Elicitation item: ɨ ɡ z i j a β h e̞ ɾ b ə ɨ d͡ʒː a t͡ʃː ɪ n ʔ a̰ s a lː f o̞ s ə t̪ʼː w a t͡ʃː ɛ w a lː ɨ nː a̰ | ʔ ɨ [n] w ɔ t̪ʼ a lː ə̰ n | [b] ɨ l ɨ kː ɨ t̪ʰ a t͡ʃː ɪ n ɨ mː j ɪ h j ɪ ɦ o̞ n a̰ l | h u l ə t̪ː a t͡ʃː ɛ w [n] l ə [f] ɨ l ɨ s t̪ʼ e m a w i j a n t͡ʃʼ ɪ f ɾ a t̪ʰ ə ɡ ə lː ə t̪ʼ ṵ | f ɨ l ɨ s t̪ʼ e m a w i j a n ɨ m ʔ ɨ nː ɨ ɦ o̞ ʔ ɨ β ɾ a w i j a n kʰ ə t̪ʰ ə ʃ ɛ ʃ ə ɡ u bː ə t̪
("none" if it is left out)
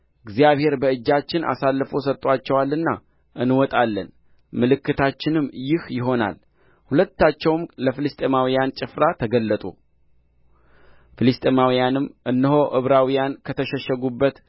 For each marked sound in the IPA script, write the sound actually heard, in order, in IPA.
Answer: n, m, m, f

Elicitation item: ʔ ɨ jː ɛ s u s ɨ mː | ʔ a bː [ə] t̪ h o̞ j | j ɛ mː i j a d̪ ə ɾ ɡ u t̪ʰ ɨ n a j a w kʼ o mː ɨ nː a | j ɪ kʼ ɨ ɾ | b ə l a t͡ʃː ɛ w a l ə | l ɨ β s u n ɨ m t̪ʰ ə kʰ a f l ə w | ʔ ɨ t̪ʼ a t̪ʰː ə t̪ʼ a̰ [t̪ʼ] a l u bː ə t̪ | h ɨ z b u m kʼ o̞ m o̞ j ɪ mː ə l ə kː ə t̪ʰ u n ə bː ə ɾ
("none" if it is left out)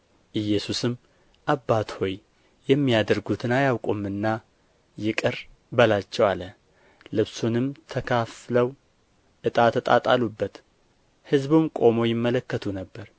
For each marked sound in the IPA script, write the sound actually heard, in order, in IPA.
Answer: a, t̪ʼ

